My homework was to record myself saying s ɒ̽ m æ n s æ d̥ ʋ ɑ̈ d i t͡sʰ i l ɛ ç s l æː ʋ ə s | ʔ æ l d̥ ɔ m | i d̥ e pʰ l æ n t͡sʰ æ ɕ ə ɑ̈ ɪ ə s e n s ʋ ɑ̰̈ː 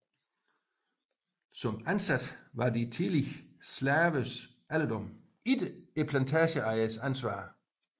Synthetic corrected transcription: s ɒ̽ m æ n s æ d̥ ʋ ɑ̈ d i t͡sʰ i l i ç s l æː ʋ ə s | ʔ æ l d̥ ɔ m | i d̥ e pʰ l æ n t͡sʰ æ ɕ ə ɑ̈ ɪ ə s æ n s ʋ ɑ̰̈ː